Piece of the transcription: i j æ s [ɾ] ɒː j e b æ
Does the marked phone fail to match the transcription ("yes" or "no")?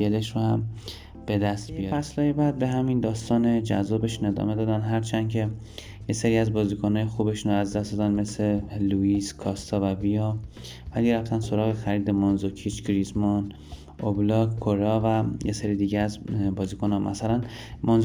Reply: yes